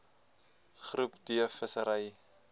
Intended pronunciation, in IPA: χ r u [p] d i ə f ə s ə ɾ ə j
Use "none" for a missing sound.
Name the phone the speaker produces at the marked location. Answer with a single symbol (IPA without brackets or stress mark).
p